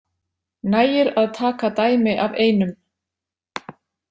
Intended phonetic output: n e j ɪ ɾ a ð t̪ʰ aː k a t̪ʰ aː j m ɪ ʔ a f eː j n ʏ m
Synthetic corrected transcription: n a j ɪ ɾ a ð t̪ʰ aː k a t̪ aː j m ɪ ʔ a v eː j n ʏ m